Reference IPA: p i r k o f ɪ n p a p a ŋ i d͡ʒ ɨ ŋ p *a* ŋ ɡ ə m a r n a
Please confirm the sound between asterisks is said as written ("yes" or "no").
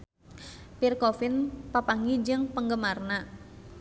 no